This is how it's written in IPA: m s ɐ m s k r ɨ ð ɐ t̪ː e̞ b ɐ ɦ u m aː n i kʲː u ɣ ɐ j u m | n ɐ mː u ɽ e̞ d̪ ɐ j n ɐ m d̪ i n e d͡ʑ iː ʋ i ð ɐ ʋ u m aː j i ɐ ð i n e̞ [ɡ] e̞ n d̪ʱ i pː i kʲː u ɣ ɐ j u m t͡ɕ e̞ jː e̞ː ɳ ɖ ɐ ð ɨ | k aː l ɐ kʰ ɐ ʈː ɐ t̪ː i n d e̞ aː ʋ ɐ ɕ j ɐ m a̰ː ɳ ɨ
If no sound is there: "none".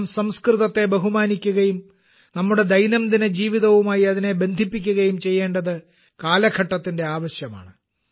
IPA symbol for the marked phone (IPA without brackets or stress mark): b